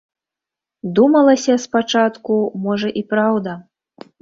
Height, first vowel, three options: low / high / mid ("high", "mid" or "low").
high